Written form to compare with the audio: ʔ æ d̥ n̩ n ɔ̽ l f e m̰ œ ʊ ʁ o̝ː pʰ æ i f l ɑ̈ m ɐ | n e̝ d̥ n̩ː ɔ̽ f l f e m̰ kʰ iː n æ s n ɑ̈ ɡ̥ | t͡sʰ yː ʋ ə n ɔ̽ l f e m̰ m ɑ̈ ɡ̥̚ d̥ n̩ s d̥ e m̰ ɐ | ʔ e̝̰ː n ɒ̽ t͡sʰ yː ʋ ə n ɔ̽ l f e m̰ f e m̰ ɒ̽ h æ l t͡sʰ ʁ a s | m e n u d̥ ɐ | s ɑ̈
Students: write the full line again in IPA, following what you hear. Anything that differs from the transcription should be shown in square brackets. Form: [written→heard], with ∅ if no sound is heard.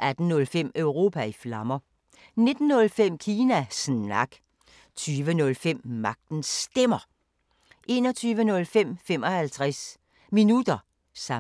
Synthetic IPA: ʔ æ d̥ n̩ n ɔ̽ l f e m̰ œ ʊ ʁ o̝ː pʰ æ i f l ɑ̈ m ɐ | n e̝ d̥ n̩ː ɔ̽ [f→∅] l f e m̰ kʰ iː n æ s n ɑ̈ ɡ̥ | t͡sʰ yː ʋ ə n ɔ̽ l f e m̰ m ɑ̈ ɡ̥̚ d̥ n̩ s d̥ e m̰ ɐ | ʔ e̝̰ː n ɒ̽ t͡sʰ yː ʋ ə n ɔ̽ l f e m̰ f e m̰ ɒ̽ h æ l t͡sʰ ʁ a s | m [e→i] n u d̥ ɐ | s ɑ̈

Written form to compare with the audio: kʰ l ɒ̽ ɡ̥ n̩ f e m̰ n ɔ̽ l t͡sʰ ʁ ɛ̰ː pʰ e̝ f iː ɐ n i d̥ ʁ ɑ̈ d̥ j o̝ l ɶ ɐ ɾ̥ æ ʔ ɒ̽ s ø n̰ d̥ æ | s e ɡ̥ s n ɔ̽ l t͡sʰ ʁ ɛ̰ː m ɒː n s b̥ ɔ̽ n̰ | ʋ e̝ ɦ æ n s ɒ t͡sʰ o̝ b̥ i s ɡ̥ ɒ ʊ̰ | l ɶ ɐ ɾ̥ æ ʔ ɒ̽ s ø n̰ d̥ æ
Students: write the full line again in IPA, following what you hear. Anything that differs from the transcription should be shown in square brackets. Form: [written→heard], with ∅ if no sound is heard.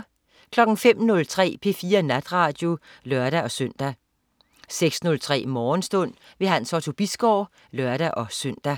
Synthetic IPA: kʰ l ɒ̽ ɡ̥ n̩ f e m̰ n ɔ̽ l t͡sʰ ʁ ɛ̰ː pʰ e̝ f iː ɐ n [i→æ] d̥ ʁ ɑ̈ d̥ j o̝ l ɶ ɐ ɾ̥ æ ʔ ɒ̽ s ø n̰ d̥ æ | s e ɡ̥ s n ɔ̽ l t͡sʰ ʁ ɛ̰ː m ɒː n s [b̥→d̥] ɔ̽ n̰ | ʋ e̝ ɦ æ n s ɒ t͡sʰ o̝ b̥ i s ɡ̥ ɒ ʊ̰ | l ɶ ɐ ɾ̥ æ ʔ ɒ̽ s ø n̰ d̥ æ

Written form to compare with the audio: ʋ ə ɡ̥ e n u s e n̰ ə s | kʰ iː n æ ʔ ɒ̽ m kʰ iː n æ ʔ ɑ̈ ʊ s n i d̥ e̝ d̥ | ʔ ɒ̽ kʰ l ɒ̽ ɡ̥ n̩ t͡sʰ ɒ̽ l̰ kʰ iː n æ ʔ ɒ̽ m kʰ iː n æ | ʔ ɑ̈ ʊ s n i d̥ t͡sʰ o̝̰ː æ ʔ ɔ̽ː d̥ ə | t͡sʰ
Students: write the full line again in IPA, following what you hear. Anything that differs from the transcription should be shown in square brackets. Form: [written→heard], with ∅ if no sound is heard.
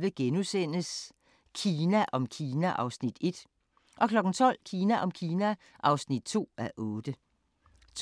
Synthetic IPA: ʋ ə ɡ̥ e n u s e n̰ ə s | kʰ iː n æ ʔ ɒ̽ m kʰ iː n æ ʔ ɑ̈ ʊ s n i d̥ e̝ d̥ | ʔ ɒ̽ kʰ l ɒ̽ ɡ̥ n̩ t͡sʰ ɒ̽ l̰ kʰ iː n æ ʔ ɒ̽ m kʰ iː n æ | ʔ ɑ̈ ʊ s n i d̥ t͡sʰ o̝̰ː æ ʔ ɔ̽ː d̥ ə | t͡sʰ

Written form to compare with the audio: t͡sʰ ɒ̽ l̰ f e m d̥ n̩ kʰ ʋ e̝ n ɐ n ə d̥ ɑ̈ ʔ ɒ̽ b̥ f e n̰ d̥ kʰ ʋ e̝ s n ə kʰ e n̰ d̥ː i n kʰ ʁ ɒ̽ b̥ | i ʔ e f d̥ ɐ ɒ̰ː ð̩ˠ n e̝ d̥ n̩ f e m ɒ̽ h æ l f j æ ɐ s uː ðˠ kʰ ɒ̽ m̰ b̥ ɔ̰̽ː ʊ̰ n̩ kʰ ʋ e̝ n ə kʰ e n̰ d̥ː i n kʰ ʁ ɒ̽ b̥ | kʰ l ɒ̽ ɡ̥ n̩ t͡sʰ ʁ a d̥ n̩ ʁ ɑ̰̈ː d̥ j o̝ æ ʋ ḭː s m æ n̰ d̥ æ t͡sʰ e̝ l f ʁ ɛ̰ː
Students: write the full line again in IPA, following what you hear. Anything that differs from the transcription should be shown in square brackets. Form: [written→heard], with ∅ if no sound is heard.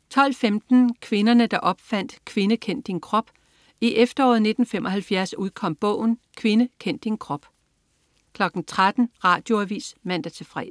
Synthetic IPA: t͡sʰ ɒ̽ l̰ f e m d̥ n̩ kʰ ʋ e̝ n ɐ n ə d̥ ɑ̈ ʔ ɒ̽ b̥ f [e→æ] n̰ d̥ kʰ ʋ e̝ [s→∅] n ə kʰ e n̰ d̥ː i n kʰ ʁ ɒ̽ b̥ | i ʔ e f d̥ ɐ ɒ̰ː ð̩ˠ n e̝ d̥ n̩ f e m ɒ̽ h æ l f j æ ɐ s [uː→u] ðˠ kʰ ɒ̽ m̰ b̥ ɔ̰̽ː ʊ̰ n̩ kʰ ʋ e̝ n ə kʰ e n̰ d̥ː i n kʰ ʁ ɒ̽ b̥ | kʰ l ɒ̽ ɡ̥ n̩ t͡sʰ ʁ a d̥ n̩ ʁ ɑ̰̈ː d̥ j o̝ æ ʋ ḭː s m æ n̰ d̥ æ t͡sʰ e̝ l f ʁ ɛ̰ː

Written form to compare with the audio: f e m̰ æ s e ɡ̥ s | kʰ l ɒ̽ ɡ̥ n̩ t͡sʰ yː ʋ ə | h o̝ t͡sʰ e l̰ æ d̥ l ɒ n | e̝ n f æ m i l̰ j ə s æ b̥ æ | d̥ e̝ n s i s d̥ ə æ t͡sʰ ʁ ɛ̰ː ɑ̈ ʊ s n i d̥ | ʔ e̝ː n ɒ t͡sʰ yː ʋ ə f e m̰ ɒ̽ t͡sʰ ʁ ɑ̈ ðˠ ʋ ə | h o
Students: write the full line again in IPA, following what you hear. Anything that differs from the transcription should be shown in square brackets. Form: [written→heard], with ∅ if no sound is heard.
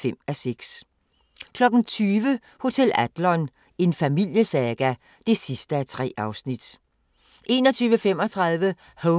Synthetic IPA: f e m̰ æ s e ɡ̥ s | kʰ l ɒ̽ ɡ̥ n̩ t͡sʰ yː ʋ ə | h o̝ t͡sʰ e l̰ æ d̥ l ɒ n | e̝ n f æ m i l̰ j ə s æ [b̥→ɡ̥] æ | d̥ e̝ [n→∅] s i s d̥ ə æ t͡sʰ ʁ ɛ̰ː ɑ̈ ʊ s n i d̥ | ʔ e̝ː n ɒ t͡sʰ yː ʋ ə f e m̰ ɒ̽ t͡sʰ ʁ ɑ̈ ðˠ ʋ ə | h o

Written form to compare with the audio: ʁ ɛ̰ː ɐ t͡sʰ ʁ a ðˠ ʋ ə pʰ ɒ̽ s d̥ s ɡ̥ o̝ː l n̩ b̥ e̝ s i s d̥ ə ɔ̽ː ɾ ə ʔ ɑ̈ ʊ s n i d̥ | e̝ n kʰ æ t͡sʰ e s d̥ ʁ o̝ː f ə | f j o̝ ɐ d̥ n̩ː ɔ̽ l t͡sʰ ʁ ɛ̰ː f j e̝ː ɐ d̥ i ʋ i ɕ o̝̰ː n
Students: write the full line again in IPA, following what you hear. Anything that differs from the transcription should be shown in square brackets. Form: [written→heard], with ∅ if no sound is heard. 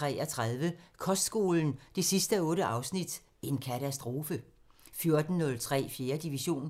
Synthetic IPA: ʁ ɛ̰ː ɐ t͡sʰ ʁ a ðˠ ʋ ə [pʰ→kʰ] ɒ̽ s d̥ s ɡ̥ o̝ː l n̩ [b̥→d̥] e̝ s i s d̥ ə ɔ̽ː ɾ ə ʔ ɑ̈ ʊ s n i d̥ | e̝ n kʰ æ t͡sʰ [e→æ] s d̥ ʁ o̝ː f ə | f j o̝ ɐ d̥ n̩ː ɔ̽ l t͡sʰ ʁ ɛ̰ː f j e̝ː ɐ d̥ i ʋ i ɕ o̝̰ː n

